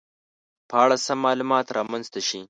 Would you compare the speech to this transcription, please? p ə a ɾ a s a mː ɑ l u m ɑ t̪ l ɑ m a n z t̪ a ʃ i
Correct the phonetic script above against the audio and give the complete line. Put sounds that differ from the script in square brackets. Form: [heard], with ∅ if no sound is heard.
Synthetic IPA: p ə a [ɽ] a s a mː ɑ l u m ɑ t̪ [ɾ] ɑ m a n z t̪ a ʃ i